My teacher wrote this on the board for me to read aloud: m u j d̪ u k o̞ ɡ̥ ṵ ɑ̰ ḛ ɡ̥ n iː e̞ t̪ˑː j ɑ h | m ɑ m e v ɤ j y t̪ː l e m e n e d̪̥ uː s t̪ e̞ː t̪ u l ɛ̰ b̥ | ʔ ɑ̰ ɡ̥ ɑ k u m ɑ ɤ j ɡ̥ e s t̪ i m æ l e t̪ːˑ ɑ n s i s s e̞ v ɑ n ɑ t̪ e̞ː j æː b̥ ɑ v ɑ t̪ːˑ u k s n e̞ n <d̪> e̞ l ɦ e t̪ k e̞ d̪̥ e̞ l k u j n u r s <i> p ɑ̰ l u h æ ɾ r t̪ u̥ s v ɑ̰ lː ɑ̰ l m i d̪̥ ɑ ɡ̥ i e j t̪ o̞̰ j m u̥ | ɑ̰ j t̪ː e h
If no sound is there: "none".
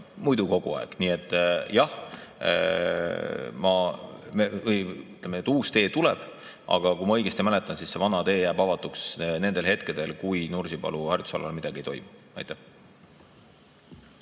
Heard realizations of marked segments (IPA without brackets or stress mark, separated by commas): d̪, i